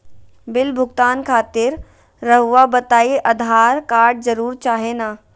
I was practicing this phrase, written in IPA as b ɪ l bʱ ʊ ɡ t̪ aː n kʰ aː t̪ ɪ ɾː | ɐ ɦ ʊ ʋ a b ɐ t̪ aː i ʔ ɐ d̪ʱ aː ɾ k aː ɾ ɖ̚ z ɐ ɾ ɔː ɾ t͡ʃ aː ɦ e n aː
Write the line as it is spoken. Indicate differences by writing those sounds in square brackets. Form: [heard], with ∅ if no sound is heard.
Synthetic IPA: b ɪ l bʱ ʊ ɡ t̪ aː n kʰ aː t̪ ɪ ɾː | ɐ ɦ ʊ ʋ a b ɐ t̪ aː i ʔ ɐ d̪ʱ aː ɾ k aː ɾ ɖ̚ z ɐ ɾ [uː] ɾ t͡ʃ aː ɦ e n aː